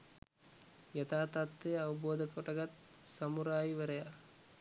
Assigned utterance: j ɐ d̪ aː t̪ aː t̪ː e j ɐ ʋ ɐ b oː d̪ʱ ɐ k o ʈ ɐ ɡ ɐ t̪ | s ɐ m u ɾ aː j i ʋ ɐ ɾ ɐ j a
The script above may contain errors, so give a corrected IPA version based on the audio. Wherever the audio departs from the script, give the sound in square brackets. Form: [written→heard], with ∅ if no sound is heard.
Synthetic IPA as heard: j ɐ [d̪→t̪] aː t̪ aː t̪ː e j ɐ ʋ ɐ b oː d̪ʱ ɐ k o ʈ ɐ ɡ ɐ t̪ | s ɐ m u ɾ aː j i ʋ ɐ ɾ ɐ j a